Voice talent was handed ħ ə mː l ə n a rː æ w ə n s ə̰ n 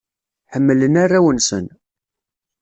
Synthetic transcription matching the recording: ħ ə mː l ə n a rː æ w ə n s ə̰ n